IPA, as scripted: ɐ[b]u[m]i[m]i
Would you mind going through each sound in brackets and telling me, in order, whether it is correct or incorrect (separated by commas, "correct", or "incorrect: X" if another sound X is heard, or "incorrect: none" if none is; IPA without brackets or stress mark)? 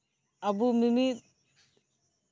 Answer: correct, correct, correct